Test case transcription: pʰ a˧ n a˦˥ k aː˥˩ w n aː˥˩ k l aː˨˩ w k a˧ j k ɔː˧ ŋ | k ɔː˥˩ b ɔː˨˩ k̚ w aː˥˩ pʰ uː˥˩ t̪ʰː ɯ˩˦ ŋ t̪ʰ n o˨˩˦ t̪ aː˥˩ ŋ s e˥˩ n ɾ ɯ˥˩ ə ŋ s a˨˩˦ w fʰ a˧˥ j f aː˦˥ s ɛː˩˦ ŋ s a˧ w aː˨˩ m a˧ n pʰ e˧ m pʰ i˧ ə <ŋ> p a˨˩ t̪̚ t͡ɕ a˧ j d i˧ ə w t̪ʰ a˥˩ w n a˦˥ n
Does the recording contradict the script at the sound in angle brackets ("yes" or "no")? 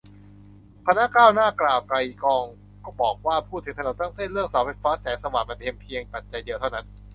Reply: no